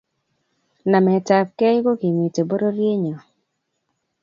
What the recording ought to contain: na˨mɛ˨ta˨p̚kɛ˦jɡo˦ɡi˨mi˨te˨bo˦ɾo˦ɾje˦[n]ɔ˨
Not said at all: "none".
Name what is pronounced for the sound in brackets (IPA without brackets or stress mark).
ɲ